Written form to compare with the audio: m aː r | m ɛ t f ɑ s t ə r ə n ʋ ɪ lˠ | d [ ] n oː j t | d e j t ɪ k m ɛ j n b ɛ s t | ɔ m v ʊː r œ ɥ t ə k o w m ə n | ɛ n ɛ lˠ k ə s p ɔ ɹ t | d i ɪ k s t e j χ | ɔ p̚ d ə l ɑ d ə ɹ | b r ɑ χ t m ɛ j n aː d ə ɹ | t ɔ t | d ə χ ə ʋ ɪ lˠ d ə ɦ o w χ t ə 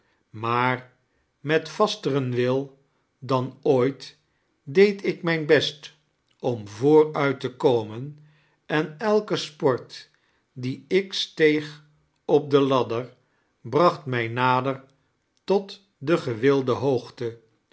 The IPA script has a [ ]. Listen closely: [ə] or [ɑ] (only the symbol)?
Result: ɑ